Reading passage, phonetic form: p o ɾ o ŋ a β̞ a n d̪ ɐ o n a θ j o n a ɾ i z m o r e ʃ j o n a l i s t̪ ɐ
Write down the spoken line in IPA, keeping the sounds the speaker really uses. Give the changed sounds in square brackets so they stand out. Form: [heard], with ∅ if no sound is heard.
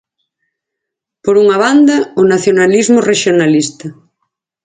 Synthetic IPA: p o ɾ [u] ŋ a β̞ a n d̪ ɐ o n a θ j o n a [l] i z m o r e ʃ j o n a l i s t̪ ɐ